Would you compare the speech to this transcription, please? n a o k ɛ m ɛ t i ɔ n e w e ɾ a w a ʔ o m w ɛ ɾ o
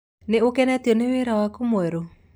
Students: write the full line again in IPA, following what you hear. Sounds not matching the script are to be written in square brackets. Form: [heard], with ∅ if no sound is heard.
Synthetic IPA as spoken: n [e] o k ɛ [n] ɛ t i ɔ n e w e ɾ a w a [k] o m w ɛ ɾ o